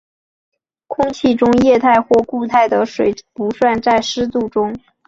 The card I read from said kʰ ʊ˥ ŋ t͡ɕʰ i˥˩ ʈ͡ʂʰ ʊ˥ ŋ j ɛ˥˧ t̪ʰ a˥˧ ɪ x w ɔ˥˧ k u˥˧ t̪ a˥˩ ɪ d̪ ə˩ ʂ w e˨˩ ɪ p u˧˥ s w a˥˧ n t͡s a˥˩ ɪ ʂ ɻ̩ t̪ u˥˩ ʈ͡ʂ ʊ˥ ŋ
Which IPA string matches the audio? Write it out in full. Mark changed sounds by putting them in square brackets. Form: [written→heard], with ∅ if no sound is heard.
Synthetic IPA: kʰ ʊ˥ ŋ t͡ɕʰ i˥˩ [ʈ͡ʂʰ→ʈ͡ʂ] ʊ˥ ŋ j ɛ˥˧ t̪ʰ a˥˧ ɪ x w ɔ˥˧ k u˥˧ [t̪→t̪ʰ] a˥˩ ɪ d̪ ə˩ ʂ w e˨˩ ɪ p u˧˥ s w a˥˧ n t͡s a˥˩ ɪ ʂ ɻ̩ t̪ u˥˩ ʈ͡ʂ ʊ˥ ŋ